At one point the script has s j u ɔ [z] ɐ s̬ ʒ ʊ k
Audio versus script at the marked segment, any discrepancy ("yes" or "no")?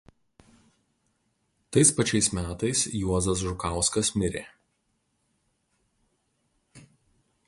no